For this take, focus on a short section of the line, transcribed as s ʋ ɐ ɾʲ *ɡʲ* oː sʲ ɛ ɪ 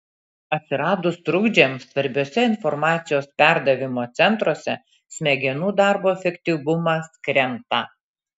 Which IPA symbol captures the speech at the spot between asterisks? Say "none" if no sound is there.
bʲ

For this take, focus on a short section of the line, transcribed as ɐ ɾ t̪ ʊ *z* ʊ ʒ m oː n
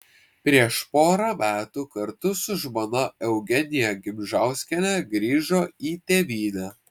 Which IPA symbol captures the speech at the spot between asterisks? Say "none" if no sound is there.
s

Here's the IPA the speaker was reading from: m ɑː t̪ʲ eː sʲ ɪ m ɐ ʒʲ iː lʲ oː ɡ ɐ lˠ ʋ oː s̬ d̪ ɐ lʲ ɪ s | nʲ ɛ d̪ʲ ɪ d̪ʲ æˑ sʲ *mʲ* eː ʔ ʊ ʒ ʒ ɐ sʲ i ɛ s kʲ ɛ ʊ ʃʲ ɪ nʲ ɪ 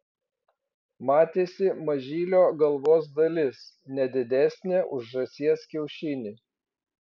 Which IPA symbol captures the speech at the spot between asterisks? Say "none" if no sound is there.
nʲ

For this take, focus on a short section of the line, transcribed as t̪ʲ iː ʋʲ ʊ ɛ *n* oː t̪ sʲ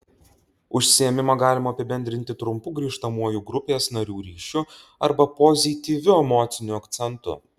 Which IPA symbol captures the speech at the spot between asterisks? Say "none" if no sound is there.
m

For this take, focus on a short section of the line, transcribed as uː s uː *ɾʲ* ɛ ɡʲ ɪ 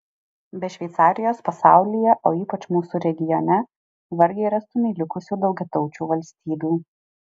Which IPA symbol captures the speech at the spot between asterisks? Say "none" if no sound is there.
ɾʲ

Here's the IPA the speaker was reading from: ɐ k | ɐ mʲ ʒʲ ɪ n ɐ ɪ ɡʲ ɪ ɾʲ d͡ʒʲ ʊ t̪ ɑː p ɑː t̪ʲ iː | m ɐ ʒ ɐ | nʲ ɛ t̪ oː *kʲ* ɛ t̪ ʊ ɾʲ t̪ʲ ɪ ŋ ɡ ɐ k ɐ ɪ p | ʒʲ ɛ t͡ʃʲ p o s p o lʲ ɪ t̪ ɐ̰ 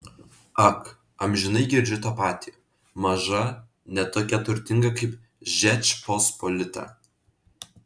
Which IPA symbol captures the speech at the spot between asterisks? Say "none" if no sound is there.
kʲ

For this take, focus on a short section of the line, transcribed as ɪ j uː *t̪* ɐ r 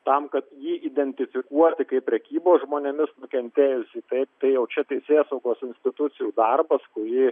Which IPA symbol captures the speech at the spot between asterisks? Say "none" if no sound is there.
d̪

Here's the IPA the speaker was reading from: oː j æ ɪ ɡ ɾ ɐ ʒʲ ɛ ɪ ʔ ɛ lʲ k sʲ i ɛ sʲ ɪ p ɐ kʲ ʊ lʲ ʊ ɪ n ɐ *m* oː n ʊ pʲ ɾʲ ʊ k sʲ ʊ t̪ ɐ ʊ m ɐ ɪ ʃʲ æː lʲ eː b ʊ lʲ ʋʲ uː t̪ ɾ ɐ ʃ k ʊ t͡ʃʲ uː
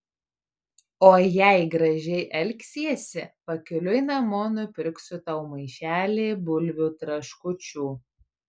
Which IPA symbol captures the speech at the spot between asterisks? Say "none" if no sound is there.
m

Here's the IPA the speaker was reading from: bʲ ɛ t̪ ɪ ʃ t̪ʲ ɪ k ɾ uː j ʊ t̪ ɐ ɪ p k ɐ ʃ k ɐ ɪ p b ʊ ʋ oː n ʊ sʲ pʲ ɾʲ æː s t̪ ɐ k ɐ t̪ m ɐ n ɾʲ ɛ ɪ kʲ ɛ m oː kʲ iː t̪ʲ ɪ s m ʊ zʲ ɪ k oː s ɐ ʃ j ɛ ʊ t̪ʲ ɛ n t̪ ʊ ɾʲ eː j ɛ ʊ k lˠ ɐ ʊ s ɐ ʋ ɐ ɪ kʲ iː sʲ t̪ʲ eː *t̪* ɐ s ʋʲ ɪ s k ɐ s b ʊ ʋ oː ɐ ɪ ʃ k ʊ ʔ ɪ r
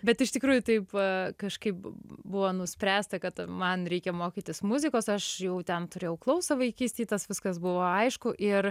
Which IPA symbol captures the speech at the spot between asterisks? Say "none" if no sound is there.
t̪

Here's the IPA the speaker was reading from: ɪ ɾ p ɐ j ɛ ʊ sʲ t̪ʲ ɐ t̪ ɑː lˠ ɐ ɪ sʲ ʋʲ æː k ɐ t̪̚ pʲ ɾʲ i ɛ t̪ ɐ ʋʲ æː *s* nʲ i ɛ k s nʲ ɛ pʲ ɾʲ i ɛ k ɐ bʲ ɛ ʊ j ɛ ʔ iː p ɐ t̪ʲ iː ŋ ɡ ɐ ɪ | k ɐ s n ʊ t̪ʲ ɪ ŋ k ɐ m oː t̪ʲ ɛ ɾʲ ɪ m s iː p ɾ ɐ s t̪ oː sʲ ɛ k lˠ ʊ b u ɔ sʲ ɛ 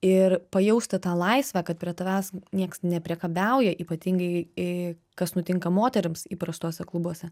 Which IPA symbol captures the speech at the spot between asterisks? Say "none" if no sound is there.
s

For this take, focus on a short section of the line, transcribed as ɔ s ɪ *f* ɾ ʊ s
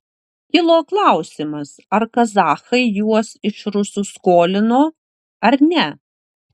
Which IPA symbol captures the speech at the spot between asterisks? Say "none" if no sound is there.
ʃ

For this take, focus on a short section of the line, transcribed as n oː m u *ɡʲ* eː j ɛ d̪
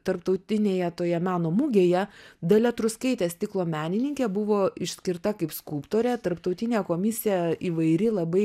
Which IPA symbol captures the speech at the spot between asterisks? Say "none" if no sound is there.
ɡʲ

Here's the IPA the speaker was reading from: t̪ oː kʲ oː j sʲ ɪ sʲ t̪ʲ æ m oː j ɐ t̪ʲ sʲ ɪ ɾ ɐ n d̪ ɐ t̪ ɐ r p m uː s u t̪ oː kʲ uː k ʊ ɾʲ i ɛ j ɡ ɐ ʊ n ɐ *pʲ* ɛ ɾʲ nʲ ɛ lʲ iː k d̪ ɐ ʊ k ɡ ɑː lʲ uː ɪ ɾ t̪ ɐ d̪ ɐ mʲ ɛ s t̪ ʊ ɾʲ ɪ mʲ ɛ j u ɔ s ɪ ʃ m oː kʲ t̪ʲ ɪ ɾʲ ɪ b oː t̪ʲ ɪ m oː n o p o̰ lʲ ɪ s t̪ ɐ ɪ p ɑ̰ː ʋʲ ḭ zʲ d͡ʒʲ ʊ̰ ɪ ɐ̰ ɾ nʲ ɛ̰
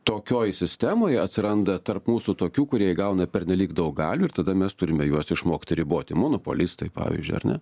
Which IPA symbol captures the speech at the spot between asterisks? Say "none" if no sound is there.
pʲ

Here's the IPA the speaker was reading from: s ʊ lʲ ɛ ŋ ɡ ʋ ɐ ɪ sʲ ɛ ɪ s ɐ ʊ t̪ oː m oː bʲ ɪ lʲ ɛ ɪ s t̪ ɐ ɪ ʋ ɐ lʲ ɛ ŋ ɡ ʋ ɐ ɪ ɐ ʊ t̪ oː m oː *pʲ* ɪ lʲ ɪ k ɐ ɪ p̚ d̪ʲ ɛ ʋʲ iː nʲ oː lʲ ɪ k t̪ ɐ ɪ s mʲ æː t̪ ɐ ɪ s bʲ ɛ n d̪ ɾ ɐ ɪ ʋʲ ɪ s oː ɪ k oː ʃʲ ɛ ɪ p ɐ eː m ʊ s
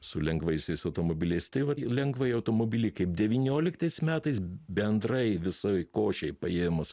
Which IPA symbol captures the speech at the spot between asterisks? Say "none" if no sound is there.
bʲ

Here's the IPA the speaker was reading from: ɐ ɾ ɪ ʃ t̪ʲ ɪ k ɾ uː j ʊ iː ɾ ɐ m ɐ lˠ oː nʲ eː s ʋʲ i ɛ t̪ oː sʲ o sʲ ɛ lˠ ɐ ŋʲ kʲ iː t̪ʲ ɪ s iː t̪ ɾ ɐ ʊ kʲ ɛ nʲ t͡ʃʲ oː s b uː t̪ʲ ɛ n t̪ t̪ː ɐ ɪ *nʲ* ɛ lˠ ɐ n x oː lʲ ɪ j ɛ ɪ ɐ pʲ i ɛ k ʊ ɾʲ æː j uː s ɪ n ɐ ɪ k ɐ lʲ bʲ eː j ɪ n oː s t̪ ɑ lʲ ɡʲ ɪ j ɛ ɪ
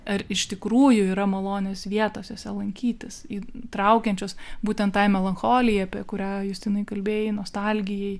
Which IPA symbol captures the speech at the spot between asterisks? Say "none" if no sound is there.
mʲ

